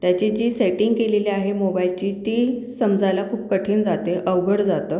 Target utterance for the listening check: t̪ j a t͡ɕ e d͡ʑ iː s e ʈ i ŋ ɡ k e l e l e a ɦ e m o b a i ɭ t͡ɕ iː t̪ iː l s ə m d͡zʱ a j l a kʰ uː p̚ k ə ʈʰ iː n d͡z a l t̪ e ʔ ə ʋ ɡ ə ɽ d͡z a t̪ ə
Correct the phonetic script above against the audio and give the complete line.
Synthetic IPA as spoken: t̪ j a t͡ɕ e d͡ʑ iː s e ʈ i ŋ ɡ k e l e l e a ɦ e m o b a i l t͡ɕ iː t̪ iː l s ə m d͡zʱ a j l a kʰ uː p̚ k ə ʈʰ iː n d͡z a t̪ e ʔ ə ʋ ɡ ə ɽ d͡z a t̪ ə